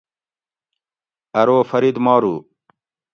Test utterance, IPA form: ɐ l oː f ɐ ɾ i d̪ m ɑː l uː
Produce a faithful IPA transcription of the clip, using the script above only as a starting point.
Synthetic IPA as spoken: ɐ ɾ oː f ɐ ɾ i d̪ m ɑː ɾ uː